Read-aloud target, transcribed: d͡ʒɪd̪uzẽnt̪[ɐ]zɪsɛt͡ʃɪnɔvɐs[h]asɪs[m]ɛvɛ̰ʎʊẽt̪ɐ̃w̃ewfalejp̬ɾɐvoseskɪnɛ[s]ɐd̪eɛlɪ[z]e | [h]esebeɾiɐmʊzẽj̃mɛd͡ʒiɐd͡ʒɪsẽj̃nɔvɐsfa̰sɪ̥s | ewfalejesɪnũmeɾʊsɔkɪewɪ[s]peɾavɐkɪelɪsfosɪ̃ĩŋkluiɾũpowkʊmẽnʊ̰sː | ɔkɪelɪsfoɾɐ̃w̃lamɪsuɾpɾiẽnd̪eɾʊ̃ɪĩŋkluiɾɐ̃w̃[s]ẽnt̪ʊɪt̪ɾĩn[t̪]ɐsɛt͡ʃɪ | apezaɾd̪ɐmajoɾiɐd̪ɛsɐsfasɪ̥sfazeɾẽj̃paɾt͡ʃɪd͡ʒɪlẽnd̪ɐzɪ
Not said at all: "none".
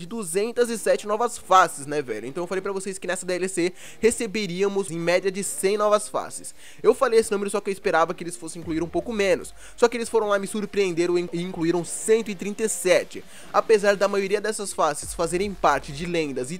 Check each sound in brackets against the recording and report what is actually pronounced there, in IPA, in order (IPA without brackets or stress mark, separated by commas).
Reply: ɐ, f, n, s, s, h, s, s, t̪